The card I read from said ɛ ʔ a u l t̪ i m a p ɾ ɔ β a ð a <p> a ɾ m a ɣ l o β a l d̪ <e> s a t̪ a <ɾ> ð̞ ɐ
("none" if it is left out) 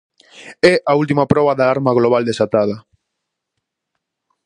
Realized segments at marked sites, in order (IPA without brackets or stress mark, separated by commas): none, e, none